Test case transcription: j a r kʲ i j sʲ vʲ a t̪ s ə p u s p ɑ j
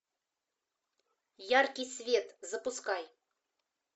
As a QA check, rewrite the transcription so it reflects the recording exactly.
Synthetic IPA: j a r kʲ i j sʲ vʲ e t̪ z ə p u s k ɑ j